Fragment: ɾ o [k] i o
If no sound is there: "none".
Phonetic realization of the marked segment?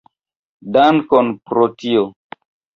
t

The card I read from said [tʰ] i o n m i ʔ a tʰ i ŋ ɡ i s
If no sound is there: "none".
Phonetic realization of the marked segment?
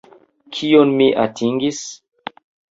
kʰ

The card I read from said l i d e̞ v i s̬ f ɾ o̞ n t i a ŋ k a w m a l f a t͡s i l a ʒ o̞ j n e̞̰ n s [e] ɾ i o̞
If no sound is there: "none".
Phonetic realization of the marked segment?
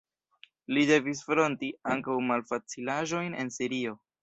i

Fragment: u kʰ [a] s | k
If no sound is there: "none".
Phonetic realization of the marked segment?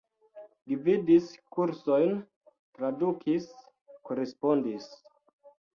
i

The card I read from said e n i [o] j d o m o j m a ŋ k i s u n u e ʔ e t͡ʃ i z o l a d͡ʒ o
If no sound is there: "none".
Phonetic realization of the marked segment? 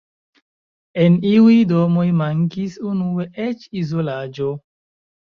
u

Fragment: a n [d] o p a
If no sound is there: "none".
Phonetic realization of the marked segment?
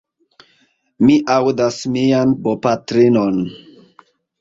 b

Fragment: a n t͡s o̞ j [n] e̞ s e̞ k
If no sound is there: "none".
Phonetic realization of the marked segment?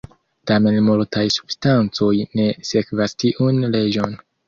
n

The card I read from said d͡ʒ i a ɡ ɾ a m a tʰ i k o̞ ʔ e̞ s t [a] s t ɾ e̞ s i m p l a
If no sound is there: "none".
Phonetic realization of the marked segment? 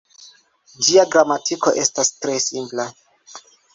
a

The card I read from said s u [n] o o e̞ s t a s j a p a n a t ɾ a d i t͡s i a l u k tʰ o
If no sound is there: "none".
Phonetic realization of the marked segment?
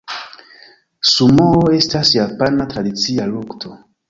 m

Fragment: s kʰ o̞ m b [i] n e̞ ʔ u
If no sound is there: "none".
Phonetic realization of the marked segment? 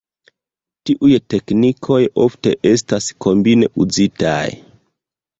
i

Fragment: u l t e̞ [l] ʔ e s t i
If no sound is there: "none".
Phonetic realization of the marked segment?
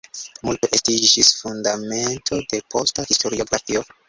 none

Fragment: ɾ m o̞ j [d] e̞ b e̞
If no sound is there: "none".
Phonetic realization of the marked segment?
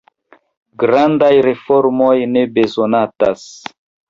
n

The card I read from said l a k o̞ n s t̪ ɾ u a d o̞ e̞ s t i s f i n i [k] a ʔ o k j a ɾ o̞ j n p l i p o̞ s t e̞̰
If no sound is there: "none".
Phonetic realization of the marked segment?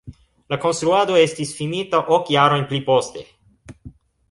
t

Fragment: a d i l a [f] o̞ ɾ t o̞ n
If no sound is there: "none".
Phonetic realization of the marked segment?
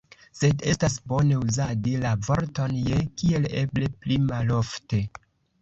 v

